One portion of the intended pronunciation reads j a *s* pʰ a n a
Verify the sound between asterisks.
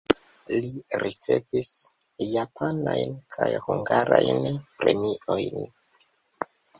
incorrect: none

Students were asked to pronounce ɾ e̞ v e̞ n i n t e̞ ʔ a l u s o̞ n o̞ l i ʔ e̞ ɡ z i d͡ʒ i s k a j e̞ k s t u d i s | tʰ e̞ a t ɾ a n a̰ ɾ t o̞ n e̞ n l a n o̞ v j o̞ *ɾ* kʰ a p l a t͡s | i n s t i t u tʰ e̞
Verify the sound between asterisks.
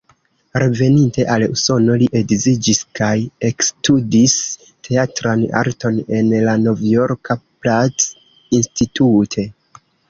correct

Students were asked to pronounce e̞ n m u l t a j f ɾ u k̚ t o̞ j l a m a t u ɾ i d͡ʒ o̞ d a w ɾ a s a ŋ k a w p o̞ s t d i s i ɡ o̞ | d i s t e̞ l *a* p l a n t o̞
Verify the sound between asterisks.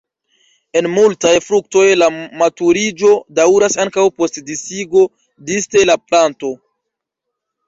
correct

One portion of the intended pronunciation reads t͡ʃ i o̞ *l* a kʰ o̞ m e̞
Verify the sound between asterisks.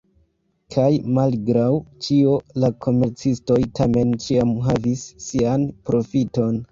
correct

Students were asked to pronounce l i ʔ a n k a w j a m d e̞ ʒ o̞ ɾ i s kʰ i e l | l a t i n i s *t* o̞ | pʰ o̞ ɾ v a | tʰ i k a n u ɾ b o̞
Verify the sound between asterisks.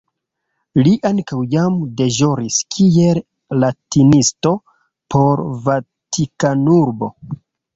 correct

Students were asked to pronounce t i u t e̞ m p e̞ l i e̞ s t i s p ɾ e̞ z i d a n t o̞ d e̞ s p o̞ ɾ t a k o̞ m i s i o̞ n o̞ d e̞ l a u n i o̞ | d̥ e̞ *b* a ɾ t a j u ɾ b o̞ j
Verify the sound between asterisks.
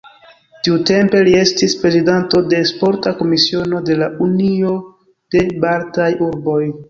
correct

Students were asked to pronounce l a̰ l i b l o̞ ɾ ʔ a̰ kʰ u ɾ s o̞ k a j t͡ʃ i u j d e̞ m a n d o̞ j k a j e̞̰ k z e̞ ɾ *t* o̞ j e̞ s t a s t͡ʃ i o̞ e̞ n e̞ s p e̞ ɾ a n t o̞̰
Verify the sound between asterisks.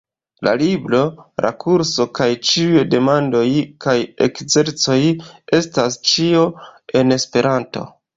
incorrect: t͡s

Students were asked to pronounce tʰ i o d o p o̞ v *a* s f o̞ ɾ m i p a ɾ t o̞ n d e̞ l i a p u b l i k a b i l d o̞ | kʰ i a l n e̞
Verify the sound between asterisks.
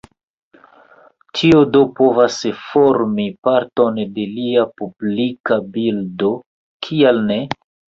correct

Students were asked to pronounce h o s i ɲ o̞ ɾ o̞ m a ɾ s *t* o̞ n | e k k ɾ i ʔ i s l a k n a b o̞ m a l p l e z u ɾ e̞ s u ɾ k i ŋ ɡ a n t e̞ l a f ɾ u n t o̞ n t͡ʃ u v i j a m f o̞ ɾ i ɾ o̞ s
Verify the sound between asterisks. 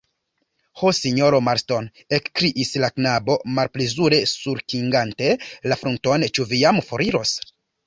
correct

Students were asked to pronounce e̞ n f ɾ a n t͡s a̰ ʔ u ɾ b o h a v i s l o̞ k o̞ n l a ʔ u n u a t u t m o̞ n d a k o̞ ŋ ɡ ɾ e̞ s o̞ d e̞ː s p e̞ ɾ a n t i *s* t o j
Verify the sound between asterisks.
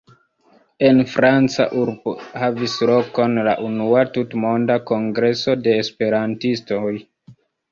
correct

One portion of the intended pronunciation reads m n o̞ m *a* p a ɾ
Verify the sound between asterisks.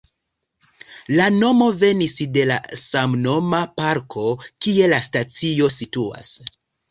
correct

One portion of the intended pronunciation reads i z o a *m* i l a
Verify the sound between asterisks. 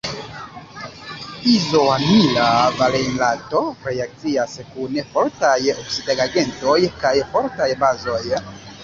incorrect: n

